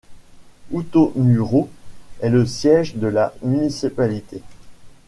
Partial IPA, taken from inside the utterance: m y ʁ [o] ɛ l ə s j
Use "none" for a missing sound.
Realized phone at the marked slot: o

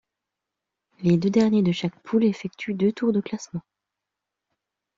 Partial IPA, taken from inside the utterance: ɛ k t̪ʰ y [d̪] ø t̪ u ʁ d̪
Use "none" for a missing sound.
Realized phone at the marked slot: d̪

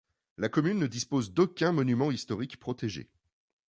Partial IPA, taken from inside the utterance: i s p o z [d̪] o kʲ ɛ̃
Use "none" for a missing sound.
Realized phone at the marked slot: d̪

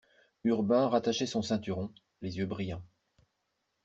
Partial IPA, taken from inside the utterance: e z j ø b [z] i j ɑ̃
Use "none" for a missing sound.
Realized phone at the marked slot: ʁ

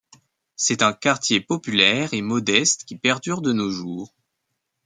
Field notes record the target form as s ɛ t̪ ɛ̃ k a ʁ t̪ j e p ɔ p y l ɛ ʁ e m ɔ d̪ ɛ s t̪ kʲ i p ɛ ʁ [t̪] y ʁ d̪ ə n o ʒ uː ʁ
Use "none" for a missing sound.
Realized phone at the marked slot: d̪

